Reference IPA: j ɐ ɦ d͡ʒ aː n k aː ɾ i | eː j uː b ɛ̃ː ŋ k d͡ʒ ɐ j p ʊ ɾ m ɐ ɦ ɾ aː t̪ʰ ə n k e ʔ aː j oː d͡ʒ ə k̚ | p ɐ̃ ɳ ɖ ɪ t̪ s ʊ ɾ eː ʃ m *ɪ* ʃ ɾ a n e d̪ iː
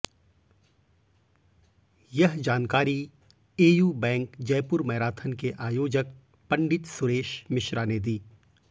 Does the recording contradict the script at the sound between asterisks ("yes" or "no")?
no